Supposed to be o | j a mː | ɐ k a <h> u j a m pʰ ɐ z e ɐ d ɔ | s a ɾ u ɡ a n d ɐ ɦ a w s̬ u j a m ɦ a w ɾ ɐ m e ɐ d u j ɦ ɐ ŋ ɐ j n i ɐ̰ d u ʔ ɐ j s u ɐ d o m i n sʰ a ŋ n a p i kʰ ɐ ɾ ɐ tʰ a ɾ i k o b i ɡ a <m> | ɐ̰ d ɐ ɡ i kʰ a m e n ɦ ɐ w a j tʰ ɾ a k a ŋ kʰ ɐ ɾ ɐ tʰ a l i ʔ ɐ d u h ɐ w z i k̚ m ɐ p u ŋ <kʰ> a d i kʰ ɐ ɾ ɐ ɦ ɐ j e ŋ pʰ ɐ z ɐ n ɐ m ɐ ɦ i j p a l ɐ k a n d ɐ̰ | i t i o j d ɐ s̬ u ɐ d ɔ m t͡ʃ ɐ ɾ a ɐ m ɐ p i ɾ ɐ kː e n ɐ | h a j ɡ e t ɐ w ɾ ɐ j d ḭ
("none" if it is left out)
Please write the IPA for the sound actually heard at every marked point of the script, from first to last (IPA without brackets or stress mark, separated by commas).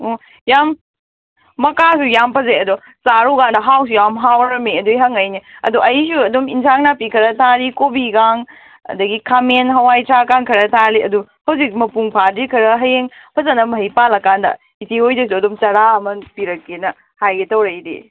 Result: s, ŋ, pʰ